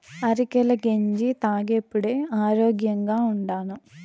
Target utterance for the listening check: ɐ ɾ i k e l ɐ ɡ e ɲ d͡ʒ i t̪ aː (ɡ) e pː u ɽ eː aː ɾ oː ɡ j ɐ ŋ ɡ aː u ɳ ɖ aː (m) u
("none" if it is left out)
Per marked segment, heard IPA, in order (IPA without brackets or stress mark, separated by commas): ɡ, n